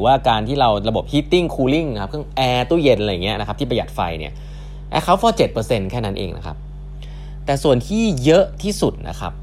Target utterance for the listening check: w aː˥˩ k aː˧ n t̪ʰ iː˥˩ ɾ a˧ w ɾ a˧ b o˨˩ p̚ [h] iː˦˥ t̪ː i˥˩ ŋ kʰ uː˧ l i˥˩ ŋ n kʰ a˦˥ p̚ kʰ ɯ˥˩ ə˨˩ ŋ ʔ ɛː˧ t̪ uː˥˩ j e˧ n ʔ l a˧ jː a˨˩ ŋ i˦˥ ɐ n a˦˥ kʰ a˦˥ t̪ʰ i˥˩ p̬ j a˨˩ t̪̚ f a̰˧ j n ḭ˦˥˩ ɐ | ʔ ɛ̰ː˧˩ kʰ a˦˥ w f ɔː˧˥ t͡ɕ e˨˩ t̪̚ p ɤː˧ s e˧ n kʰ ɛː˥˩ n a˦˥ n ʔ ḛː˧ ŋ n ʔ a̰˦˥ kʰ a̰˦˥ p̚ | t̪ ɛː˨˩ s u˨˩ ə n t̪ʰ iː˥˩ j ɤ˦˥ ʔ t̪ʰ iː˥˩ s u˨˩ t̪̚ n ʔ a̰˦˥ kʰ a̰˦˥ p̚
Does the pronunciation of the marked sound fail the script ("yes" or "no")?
no